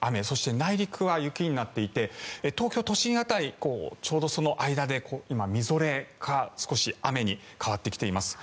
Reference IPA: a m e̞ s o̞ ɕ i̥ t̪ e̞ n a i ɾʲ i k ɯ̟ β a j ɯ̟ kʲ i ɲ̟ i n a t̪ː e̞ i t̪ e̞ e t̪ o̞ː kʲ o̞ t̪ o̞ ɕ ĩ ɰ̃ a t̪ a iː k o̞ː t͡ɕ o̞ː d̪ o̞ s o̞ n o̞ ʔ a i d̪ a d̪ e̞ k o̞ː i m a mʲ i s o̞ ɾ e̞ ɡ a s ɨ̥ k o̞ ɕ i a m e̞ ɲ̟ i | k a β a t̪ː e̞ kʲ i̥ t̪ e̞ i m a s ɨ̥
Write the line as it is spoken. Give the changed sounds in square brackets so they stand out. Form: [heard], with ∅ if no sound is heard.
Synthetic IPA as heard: a m e̞ s o̞ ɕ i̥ t̪ e̞ n a i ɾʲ i k ɯ̟ β a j ɯ̟ kʲ i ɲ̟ i n a t̪ː e̞ i t̪ e̞ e t̪ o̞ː kʲ o̞ t̪ o̞ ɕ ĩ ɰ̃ a t̪ a [i] k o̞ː t͡ɕ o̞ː d̪ o̞ s o̞ n o̞ ʔ a i d̪ a d̪ e̞ k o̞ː i m a mʲ i [z] o̞ ɾ e̞ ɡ a s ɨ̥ k o̞ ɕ i a m e̞ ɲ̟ i | k a β a t̪ː e̞ kʲ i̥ t̪ e̞ i m a s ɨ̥